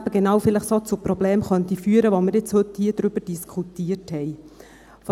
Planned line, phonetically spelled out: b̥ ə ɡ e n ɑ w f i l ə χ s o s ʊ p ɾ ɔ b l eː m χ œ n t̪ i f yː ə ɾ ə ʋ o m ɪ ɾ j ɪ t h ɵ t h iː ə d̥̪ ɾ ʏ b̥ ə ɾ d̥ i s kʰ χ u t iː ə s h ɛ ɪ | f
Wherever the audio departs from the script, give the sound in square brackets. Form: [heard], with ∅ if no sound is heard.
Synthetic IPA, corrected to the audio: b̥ ə ɡ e n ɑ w f [ɪ] l ə χ s o [t͡s] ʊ p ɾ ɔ b l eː m χ œ n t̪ i f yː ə ɾ ə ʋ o m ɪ ɾ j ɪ [t͡s] h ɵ t h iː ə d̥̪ ɾ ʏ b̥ ə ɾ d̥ i s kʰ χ u t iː ə [t] h ɛ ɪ | f

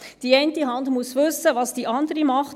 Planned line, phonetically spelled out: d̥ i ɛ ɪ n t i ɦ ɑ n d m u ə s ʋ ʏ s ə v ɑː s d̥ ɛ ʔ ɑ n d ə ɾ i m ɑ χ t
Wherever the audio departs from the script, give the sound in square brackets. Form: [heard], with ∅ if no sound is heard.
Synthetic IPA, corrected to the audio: d̥ i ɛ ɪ n t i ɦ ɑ n d m u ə s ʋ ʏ s ə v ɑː s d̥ [i] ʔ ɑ n d ə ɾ i m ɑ χ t

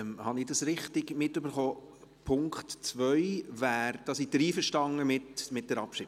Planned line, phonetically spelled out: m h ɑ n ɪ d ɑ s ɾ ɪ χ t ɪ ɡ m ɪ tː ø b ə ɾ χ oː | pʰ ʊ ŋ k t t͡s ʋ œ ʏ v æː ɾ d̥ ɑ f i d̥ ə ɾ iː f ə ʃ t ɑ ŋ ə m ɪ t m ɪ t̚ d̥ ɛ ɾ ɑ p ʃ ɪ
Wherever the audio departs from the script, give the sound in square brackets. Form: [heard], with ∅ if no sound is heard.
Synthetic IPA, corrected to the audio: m h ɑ n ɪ d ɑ s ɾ ɪ χ t ɪ ɡ m ɪ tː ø b ə ɾ χ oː | pʰ ʊ ŋ k t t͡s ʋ œ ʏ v æː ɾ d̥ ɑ [s] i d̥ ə ɾ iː f ə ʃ t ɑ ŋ ə m ɪ t m ɪ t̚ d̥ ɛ ɾ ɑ p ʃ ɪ

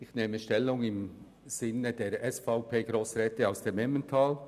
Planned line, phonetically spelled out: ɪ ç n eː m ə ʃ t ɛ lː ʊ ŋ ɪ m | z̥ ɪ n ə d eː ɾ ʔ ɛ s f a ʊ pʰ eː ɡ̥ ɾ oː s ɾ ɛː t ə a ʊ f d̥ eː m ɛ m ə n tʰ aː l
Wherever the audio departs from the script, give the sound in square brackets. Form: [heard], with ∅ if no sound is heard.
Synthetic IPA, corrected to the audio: ɪ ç n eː m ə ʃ t ɛ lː ʊ ŋ ɪ m | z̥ ɪ n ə d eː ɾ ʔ ɛ s f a ʊ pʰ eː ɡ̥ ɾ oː s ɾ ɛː t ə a ʊ [s] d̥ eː m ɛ m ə n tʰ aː l

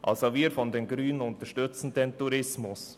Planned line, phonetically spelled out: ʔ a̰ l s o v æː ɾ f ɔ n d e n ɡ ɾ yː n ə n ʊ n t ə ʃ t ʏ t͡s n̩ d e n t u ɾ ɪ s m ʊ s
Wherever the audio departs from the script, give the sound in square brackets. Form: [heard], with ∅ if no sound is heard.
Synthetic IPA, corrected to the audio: ʔ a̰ l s o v [iː] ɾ f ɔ n d e n ɡ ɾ yː n ə n ʊ n t ə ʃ t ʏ t͡s n̩ d e n t u ɾ ɪ s m ʊ s

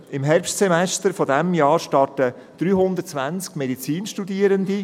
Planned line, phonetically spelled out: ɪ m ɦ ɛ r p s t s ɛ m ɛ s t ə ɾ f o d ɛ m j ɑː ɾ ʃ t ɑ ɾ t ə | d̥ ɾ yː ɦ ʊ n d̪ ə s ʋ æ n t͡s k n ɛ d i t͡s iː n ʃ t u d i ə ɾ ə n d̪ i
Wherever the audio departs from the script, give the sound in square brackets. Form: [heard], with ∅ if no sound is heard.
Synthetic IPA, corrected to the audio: ɪ m ɦ ɛ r p [ʃ] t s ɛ m ɛ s t ə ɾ f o d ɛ m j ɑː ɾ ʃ t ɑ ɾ t ə | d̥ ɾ yː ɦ ʊ n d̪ ə [t͡s] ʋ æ n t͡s k [m] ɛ d i t͡s iː n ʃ t u d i ə ɾ ə n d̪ i

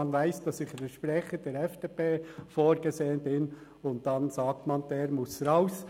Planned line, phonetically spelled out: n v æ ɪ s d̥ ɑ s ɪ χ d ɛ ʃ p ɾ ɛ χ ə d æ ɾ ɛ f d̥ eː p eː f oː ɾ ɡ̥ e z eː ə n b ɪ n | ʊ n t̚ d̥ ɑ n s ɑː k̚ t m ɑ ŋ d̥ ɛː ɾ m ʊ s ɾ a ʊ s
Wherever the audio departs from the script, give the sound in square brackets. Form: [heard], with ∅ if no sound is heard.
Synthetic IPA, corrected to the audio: n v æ ɪ s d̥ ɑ s ɪ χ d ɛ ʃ p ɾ ɛ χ ə d [ɛ] ɾ ɛ f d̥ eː p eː f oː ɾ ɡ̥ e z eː ə n b ɪ n | ʊ n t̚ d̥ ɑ n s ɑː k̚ t m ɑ [n] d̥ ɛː ɾ m ʊ s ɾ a ʊ s

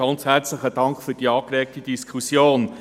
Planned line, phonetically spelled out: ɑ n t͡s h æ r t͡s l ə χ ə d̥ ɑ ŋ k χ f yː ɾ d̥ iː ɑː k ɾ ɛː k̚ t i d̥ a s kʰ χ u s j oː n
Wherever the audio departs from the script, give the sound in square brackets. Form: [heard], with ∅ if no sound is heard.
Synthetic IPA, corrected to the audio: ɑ n t͡s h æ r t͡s l ə χ ə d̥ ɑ ŋ k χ f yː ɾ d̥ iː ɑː k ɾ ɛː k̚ t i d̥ [i] s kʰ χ u s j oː n

